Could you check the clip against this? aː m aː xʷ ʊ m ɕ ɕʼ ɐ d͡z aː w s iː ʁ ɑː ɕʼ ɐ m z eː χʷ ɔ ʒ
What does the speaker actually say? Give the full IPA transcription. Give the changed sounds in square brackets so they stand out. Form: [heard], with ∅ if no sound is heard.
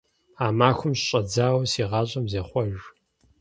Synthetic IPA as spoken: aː m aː xʷ ʊ m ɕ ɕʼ ɐ d͡z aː w s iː ʁ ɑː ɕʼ ɐ m z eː χʷ ɔ ʒ